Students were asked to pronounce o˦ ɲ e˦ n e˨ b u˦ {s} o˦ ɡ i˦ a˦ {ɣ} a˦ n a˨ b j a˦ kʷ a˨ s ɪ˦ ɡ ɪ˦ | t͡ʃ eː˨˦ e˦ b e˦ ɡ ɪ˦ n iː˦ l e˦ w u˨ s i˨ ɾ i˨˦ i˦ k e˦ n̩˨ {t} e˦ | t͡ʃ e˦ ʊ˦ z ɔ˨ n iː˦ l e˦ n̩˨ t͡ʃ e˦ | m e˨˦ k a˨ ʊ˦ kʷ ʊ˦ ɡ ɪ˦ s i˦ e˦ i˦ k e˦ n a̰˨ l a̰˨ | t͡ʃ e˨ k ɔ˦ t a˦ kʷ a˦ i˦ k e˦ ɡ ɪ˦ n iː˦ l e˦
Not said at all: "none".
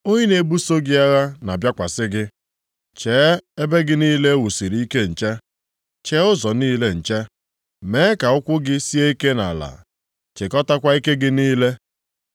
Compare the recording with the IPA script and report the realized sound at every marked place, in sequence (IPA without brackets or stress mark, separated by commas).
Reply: s, ɣ, t͡ʃ